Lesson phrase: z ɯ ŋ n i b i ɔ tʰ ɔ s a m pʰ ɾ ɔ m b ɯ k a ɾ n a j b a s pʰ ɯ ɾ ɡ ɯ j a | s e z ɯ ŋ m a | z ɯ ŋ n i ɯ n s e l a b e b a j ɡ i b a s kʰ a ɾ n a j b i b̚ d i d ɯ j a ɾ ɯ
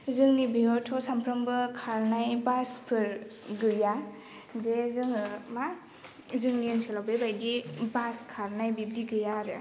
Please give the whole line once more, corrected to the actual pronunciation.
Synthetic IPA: z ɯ ŋ n i b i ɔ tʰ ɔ s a m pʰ ɾ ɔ m b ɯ kʰ a ɾ n a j b a s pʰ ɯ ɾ ɡ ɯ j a | z e z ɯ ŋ m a | z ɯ ŋ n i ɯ n s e l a b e b a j d i b a s kʰ a ɾ n a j b i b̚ d i ɡ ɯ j a ɾ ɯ